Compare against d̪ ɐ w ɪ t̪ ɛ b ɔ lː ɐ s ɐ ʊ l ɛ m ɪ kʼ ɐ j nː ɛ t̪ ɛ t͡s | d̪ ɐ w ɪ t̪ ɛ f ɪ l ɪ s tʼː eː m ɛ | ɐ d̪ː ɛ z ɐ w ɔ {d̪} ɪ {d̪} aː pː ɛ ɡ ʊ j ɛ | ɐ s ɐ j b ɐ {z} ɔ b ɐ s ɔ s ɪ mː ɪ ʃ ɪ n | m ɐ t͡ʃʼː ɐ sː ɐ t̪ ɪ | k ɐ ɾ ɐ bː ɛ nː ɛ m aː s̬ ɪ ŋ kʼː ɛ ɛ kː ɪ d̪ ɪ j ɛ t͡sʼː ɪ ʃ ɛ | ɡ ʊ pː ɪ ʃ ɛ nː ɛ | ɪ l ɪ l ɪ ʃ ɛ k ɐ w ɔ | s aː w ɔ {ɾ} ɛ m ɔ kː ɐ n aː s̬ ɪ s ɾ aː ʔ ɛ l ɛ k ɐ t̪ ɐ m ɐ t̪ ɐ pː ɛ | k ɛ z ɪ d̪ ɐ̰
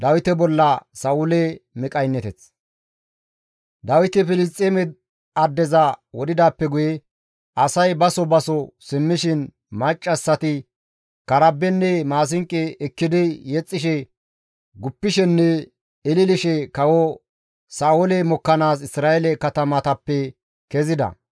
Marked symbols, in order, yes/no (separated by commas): yes, yes, no, no